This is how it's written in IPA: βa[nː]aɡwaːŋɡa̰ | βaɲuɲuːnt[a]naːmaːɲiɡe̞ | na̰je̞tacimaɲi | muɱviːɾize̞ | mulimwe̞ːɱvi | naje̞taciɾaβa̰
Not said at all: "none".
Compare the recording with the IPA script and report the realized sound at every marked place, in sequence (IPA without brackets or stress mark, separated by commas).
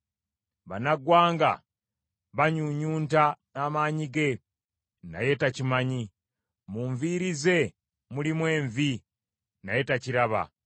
n, a